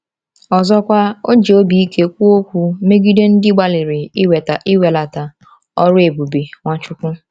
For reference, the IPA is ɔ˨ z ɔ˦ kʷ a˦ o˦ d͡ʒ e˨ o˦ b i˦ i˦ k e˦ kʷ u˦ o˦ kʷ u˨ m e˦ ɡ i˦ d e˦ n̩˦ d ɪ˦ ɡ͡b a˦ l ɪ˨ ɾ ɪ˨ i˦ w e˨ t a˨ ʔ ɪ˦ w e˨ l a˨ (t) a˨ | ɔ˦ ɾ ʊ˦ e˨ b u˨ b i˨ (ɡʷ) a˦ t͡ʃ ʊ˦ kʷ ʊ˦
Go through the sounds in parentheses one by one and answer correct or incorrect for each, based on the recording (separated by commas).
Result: correct, incorrect